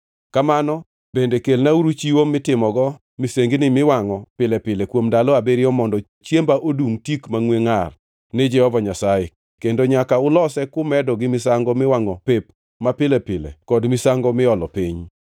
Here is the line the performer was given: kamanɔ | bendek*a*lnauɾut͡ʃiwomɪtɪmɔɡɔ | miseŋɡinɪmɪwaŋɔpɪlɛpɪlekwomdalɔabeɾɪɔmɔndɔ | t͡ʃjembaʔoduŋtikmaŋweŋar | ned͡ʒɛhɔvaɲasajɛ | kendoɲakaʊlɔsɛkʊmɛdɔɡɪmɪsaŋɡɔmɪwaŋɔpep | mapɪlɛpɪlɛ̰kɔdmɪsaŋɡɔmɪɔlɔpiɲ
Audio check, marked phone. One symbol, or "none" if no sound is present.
e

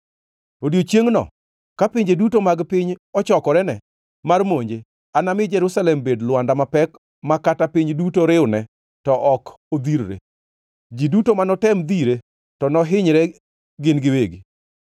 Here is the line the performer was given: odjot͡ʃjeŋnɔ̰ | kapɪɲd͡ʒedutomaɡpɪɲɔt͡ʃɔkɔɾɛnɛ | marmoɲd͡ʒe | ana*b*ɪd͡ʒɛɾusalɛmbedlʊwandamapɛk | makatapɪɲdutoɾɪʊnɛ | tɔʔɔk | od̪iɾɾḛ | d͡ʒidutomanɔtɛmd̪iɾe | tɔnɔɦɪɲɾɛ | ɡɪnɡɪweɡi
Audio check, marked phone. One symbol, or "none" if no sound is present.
m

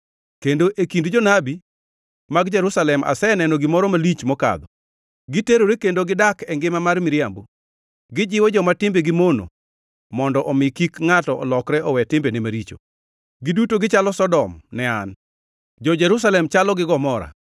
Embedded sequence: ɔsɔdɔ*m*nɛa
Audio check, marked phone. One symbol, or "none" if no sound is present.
m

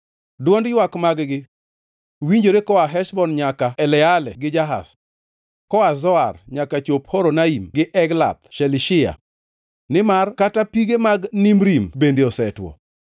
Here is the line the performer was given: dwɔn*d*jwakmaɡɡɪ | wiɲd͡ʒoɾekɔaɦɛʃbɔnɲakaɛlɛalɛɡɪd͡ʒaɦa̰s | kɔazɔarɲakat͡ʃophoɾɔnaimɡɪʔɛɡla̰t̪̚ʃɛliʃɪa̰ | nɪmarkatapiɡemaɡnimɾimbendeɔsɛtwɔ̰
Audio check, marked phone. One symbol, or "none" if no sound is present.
d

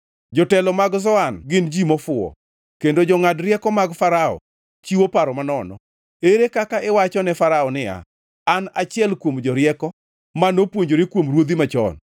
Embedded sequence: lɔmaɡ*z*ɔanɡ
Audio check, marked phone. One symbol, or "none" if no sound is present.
z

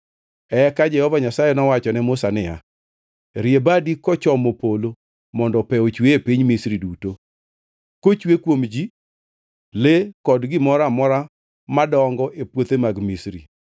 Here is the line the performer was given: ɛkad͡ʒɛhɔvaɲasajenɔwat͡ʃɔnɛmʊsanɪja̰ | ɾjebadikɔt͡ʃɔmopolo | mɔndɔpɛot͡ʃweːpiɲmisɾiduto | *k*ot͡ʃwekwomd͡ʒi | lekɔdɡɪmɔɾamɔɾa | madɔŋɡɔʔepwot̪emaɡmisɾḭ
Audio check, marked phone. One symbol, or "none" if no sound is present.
k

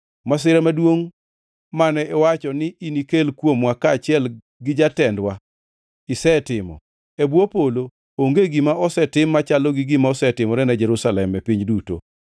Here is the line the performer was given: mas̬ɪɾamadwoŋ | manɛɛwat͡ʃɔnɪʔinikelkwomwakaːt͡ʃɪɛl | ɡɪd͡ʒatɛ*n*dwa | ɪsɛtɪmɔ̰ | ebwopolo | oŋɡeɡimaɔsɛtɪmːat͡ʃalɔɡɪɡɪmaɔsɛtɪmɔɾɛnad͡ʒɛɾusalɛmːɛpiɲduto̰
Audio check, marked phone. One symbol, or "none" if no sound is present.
n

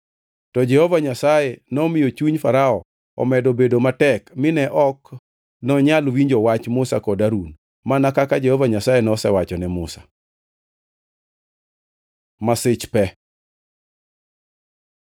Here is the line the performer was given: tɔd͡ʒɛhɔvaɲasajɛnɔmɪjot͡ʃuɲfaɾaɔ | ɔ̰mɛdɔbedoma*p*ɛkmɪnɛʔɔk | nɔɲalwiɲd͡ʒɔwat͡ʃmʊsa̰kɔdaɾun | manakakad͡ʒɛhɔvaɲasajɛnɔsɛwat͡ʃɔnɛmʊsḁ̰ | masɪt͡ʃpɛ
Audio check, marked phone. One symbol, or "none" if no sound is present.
t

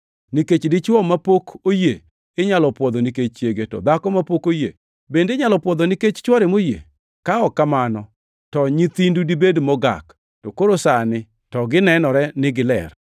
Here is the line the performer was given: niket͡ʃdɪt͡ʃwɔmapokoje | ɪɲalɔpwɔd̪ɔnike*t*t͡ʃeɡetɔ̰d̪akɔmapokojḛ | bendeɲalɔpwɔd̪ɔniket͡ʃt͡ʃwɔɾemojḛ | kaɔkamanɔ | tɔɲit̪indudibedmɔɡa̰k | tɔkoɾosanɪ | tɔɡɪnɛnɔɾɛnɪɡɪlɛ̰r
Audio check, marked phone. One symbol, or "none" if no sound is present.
t͡ʃ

